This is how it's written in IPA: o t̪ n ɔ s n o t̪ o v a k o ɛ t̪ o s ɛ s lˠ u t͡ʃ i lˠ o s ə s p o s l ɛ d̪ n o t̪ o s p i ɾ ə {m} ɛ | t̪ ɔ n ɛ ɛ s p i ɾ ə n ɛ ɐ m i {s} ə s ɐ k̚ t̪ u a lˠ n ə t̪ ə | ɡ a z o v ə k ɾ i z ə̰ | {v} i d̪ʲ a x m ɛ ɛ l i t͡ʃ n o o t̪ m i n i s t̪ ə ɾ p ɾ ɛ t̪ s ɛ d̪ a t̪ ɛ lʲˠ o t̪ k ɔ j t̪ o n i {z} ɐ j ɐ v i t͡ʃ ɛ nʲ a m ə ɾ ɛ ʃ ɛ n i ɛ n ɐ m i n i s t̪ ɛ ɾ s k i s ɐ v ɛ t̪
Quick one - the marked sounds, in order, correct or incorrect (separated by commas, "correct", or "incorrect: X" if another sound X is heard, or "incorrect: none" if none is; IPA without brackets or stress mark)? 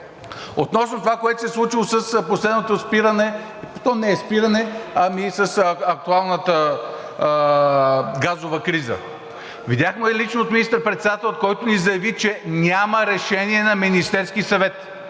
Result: incorrect: n, correct, correct, correct